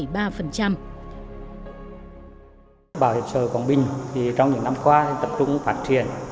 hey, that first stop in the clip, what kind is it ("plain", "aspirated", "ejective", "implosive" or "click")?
implosive